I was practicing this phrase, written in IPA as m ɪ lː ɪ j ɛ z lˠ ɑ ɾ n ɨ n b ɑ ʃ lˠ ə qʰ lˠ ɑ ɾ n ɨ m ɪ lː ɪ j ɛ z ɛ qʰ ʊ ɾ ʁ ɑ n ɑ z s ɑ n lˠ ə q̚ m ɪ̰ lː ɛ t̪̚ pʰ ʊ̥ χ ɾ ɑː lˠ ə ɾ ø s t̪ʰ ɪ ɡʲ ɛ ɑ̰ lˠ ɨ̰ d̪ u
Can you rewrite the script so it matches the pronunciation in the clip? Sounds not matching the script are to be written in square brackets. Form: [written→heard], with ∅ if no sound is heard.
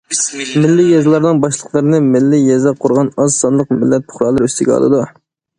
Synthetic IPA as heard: m ɪ lː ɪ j ɛ z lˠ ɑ ɾ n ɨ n b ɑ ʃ lˠ ə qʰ lˠ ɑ ɾ n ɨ m ɪ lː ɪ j ɛ z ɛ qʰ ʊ ɾ ʁ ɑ n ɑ z s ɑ n lˠ ə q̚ m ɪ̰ lː ɛ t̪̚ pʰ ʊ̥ χ ɾ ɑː lˠ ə ɾ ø s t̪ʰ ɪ ɡʲ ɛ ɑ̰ lˠ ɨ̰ d̪ u

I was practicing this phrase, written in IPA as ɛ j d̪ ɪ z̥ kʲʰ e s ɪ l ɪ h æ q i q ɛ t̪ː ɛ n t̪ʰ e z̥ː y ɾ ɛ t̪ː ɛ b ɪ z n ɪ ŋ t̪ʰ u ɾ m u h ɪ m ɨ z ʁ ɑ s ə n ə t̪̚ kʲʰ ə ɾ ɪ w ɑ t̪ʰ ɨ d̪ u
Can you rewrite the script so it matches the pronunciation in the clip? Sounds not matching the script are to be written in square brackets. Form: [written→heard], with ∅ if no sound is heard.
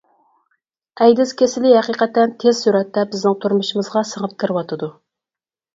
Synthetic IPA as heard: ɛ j d̪ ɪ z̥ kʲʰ e s ɪ l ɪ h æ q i q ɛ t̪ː ɛ n t̪ʰ e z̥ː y ɾ ɛ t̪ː ɛ b ɪ z n ɪ ŋ t̪ʰ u ɾ m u [h→ʃ] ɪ m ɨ z ʁ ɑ s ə [n→ŋ] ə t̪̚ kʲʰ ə ɾ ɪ w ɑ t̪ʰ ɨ d̪ u

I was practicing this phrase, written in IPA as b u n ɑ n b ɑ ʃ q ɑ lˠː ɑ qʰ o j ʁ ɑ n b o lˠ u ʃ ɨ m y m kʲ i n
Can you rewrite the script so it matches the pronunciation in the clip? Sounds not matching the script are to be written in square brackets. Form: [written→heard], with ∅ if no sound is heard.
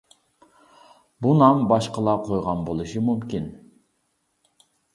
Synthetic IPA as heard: b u n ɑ [n→m] b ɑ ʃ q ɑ [lˠː→lˠ] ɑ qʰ o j ʁ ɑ n b o lˠ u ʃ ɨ m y m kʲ i n

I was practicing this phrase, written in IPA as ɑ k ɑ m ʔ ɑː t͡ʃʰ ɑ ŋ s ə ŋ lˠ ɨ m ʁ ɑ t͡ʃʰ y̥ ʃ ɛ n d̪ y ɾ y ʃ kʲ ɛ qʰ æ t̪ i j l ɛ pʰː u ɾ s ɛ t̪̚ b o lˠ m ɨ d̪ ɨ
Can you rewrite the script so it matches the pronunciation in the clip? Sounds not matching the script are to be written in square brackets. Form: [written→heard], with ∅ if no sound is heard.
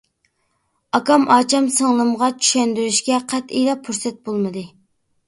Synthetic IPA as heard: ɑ k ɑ m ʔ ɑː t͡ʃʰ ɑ [ŋ→m] s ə ŋ lˠ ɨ m ʁ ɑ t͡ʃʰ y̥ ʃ ɛ n d̪ y ɾ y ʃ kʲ ɛ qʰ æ t̪ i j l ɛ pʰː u ɾ s ɛ t̪̚ b o lˠ m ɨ d̪ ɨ

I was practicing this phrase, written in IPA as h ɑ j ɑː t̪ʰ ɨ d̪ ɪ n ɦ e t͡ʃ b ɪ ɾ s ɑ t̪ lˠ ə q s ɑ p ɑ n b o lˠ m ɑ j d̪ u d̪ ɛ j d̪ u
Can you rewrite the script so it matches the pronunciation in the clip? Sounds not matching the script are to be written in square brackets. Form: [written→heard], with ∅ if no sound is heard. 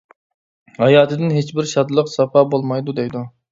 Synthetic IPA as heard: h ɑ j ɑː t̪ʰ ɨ d̪ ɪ n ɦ e t͡ʃ b ɪ ɾ [s→ʃ] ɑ [t̪→d̪] lˠ ə q s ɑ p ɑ [n→∅] b o lˠ m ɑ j d̪ u d̪ ɛ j d̪ u

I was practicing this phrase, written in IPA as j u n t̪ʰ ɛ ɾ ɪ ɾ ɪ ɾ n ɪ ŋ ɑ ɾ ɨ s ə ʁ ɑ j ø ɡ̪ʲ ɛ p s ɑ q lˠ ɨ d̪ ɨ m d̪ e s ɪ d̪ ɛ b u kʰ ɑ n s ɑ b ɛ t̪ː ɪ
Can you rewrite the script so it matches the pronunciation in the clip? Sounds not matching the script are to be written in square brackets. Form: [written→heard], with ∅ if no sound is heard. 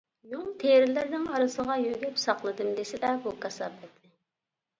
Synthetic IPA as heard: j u [n→ŋ] t̪ʰ [ɛ→e] ɾ ɪ [ɾ→l] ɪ ɾ n ɪ ŋ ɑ ɾ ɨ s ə ʁ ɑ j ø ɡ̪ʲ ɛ p s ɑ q lˠ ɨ d̪ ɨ m d̪ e s ɪ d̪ ɛ b u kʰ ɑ [n→∅] s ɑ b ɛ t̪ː ɪ

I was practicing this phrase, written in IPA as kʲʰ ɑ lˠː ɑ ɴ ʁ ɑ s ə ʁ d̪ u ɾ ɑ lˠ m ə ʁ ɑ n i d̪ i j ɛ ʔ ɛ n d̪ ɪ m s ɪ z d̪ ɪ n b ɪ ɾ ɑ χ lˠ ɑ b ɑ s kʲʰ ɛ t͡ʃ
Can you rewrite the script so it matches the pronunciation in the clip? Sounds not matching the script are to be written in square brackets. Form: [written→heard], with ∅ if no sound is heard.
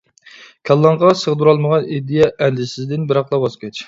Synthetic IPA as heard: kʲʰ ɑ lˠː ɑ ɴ ʁ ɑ s ə ʁ d̪ u ɾ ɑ lˠ m ə ʁ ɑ n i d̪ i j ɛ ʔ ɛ n d̪ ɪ [m→∅] s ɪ z d̪ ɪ n b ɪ ɾ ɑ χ lˠ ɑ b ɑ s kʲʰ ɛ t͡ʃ

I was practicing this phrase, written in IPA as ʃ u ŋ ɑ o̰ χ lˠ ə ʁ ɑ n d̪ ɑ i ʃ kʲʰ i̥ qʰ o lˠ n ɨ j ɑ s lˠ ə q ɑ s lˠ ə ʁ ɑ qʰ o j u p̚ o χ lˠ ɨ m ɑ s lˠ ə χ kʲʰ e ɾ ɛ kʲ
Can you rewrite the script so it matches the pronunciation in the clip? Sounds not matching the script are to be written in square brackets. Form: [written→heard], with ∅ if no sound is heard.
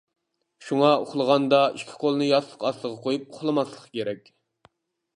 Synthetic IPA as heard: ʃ u ŋ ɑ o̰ χ lˠ ə ʁ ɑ n d̪ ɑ i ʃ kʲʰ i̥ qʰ o lˠ n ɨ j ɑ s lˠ ə q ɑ s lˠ ə ʁ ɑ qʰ o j u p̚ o χ lˠ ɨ m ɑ s lˠ ə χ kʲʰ e ɾ ɛ kʲ

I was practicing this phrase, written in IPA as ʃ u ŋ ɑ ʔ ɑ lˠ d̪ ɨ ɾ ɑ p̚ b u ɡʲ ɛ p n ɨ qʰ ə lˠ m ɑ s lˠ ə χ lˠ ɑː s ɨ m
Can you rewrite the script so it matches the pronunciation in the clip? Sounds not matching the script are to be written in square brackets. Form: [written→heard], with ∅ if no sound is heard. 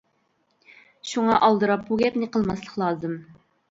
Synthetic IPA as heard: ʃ u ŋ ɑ ʔ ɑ lˠ d̪ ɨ ɾ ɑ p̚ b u ɡʲ ɛ p n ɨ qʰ ə lˠ m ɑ s lˠ ə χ lˠ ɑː [s→z] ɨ m

